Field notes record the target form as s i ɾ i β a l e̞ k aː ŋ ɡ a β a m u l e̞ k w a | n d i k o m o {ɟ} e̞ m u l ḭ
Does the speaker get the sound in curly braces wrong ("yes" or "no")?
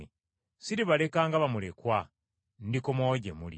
no